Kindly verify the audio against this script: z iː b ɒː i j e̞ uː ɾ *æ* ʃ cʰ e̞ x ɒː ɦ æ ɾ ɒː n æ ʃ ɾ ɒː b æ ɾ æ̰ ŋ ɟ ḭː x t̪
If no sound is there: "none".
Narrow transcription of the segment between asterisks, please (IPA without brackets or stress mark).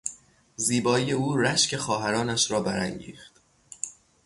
æ